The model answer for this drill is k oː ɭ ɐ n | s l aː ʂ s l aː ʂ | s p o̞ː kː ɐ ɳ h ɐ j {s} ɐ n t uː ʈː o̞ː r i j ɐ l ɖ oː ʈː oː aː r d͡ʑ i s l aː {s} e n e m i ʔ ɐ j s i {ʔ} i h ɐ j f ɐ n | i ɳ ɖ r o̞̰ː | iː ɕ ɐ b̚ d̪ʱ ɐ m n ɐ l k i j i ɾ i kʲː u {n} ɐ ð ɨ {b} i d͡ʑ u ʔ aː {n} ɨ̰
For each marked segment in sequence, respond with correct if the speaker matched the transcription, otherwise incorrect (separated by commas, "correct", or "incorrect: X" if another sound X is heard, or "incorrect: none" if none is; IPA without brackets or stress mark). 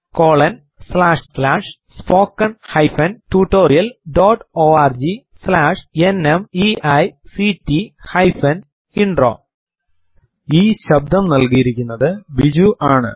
incorrect: f, incorrect: ʂ, incorrect: t, incorrect: nː, correct, incorrect: ɳ